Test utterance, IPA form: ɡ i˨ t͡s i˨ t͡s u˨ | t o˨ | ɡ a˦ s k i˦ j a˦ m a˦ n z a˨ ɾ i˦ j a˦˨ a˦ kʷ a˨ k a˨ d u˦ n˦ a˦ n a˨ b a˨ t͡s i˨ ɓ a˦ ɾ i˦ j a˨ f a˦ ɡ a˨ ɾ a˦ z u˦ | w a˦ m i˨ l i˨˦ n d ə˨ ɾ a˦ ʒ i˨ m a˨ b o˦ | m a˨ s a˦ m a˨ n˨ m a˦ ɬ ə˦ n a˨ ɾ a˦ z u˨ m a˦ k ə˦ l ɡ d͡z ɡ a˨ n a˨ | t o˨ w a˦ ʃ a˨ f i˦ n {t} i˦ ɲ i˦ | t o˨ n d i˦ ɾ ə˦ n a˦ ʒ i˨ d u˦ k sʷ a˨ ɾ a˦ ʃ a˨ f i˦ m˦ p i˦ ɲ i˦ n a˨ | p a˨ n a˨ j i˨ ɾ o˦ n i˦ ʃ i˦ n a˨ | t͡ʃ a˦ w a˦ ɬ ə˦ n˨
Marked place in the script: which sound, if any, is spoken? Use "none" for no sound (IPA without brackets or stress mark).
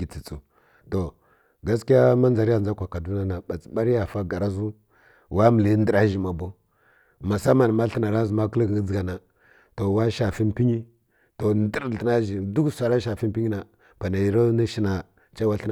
p